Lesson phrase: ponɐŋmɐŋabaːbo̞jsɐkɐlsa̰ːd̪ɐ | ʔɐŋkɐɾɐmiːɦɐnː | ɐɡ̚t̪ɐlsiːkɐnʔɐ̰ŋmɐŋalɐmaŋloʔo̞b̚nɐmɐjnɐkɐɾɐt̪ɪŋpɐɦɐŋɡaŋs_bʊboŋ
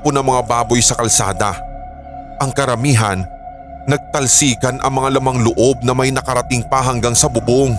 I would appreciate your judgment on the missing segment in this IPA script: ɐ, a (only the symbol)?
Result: ɐ